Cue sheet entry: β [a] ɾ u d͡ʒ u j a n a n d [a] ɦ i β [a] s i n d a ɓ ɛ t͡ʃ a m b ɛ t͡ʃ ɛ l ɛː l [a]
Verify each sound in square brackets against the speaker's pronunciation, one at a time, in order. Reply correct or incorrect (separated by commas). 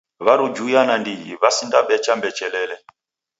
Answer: correct, incorrect, correct, incorrect